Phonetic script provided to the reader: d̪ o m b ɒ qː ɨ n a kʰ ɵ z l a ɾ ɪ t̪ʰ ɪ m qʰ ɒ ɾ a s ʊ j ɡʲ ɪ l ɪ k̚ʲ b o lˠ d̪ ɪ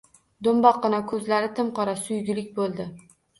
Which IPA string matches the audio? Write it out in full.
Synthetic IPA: d̪ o m b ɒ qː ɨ n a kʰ ɵ z l a ɾ ɪ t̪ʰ ɪ m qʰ ɒ ɾ a s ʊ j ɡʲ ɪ l ɪ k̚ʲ b o lˠ d̪ ɪ